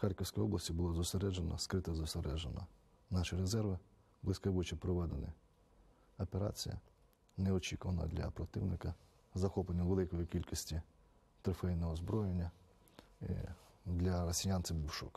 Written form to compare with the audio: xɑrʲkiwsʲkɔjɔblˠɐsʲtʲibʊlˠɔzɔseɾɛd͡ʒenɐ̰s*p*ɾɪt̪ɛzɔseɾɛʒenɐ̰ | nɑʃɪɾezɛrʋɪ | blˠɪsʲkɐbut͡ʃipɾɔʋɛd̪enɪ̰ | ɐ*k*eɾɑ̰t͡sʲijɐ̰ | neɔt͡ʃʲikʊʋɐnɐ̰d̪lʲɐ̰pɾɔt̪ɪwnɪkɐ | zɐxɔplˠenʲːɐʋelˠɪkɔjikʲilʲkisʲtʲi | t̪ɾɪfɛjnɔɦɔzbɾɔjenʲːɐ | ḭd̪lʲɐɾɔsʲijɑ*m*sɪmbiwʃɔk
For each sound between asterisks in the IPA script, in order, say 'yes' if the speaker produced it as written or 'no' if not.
no, no, no

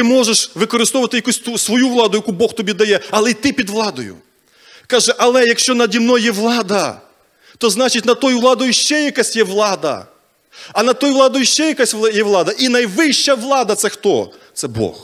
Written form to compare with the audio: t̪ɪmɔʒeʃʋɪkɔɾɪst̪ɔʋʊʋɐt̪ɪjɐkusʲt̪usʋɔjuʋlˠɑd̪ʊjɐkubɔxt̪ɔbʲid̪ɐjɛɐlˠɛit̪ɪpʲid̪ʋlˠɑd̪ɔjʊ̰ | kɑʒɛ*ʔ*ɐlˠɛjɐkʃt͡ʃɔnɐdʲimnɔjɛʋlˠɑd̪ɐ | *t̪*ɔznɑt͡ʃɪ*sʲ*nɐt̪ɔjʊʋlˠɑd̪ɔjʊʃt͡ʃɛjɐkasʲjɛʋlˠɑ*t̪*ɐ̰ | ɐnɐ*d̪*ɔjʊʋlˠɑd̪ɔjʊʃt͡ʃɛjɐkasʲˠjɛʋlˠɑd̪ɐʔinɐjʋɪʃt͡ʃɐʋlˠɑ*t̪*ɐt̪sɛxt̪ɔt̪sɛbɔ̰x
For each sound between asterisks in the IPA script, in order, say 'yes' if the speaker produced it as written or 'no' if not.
yes, yes, no, no, no, no

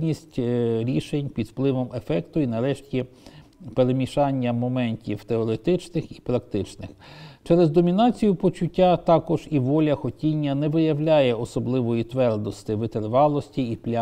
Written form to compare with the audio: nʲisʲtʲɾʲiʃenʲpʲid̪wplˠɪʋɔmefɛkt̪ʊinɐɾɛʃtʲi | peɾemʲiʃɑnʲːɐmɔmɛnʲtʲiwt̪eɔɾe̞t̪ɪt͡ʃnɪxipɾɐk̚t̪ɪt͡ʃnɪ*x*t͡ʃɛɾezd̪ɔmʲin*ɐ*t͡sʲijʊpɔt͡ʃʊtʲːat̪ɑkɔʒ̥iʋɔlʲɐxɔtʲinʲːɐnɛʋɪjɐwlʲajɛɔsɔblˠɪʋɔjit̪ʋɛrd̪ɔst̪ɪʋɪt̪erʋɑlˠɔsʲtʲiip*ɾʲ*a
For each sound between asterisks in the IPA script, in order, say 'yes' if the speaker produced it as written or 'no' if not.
yes, no, no

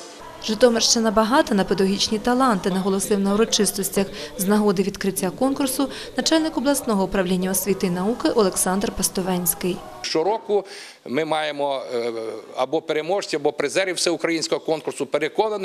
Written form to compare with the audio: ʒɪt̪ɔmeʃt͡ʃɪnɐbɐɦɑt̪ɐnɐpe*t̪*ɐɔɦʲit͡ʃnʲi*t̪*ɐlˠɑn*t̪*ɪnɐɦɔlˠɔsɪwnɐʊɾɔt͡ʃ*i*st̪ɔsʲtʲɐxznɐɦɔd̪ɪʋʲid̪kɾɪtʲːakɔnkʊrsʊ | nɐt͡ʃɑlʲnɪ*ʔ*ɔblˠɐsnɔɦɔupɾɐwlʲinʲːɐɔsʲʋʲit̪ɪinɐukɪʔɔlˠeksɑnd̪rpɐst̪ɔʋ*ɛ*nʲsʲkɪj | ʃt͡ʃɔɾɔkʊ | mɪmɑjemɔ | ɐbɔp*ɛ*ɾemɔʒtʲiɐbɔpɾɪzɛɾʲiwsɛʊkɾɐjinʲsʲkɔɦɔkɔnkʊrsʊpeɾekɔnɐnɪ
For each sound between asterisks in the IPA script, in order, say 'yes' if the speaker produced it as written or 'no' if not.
no, yes, yes, no, no, yes, no

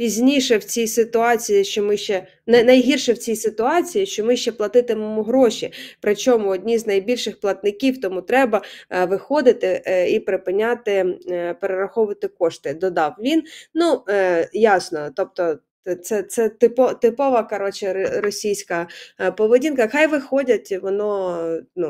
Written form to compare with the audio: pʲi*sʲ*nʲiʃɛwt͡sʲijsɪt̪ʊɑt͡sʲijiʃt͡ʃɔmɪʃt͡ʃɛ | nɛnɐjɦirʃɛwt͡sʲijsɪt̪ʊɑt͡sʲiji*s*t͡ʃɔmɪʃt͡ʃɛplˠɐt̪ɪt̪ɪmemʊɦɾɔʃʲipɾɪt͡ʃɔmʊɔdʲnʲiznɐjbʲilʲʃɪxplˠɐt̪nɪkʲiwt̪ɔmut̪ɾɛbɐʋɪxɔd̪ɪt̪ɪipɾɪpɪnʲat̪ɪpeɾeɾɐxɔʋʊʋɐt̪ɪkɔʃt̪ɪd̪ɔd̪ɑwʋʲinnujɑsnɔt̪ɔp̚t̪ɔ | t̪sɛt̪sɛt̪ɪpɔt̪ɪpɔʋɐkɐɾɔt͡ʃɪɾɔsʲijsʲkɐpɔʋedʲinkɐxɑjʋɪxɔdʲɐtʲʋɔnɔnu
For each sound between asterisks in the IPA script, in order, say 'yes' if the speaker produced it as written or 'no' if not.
no, no

